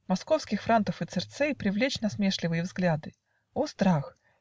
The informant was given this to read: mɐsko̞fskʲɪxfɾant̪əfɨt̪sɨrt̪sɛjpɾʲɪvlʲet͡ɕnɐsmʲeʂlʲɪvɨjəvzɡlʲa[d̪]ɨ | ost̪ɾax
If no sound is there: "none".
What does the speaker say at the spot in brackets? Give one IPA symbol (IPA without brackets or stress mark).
d̪